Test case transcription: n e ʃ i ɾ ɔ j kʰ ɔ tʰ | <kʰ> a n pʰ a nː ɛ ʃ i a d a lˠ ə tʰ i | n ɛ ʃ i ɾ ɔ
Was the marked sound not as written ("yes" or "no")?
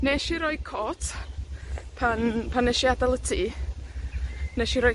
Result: yes